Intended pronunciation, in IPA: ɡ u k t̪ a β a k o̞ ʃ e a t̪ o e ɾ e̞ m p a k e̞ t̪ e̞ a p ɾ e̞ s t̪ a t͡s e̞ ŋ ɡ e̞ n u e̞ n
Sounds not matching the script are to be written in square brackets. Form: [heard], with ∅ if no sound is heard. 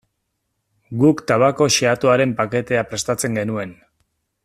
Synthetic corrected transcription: ɡ u k t̪ a β a k o̞ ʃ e a t̪ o [a] ɾ e̞ m p a k e̞ t̪ e̞ a p ɾ e̞ s t̪ a t͡s e̞ ŋ ɡ e̞ n u e̞ n